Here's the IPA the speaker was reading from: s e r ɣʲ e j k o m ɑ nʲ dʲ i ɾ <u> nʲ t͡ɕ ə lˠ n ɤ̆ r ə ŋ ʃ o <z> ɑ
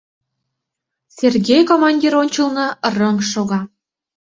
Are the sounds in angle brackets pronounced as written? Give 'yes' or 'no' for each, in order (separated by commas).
no, no